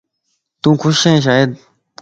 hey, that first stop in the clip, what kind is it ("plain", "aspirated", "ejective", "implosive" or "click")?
plain